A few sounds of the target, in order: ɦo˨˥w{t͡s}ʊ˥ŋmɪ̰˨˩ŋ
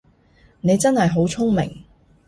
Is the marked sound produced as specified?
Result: no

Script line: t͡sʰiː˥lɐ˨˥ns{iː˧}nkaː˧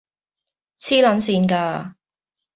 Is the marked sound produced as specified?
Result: yes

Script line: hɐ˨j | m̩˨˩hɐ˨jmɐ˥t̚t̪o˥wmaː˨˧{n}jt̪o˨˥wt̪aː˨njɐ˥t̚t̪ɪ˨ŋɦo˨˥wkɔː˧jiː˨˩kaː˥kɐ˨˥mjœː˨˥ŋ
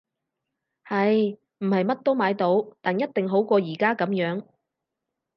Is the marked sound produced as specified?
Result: no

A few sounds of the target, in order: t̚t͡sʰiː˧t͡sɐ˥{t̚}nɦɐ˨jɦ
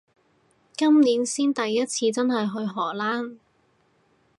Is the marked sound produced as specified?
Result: no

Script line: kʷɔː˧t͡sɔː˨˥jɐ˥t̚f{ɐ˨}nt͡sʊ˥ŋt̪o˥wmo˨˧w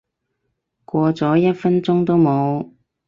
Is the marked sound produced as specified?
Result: no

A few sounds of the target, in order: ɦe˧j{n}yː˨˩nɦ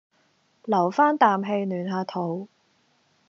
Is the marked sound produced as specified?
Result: yes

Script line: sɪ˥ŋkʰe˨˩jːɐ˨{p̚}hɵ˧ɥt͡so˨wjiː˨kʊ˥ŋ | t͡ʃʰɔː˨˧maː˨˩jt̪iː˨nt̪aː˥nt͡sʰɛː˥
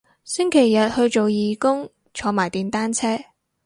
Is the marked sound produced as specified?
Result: no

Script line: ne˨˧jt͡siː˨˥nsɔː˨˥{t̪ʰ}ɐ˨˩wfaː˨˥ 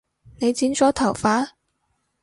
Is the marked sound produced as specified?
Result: yes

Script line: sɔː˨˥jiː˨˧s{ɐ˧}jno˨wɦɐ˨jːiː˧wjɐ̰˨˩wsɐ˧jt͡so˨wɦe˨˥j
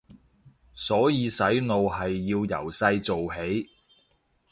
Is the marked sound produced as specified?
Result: no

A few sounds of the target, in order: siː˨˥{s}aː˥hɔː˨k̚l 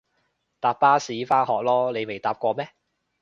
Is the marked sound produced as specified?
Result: no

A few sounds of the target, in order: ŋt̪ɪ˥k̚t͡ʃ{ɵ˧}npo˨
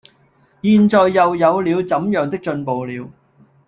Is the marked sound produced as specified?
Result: yes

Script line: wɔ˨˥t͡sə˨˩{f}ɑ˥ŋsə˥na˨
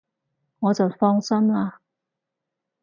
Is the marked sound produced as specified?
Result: yes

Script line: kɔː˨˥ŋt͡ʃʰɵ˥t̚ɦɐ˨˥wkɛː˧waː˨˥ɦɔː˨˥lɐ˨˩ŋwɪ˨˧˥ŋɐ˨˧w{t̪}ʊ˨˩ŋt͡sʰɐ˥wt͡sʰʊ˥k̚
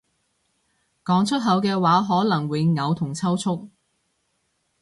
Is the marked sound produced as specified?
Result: no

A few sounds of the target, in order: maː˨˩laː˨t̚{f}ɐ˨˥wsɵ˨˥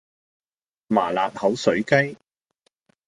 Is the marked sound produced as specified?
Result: no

